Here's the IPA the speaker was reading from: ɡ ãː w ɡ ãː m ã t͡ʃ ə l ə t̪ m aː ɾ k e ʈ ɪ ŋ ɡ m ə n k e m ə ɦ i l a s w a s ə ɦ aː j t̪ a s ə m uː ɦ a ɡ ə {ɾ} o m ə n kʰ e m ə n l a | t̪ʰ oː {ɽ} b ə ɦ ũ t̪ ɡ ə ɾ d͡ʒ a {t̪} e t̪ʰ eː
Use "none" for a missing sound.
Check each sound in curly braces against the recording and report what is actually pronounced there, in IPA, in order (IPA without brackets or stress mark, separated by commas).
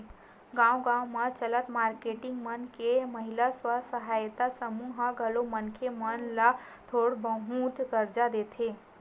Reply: l, ɽ, d̪